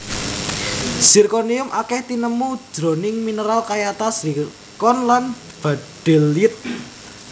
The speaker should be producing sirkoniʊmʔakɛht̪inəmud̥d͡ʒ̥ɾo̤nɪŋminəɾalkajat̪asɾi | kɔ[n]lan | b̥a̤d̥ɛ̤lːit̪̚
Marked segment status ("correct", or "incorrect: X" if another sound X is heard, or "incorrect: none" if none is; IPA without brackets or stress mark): correct